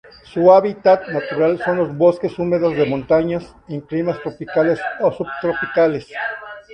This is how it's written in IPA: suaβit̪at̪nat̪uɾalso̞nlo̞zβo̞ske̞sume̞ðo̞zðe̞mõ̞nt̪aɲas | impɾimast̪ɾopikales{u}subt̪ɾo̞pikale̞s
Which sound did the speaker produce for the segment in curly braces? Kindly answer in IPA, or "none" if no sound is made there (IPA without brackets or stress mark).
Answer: o